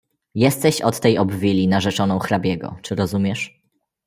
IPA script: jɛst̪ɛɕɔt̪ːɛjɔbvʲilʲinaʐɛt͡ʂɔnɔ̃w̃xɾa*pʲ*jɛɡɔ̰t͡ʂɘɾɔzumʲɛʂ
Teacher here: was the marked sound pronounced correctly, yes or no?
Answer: no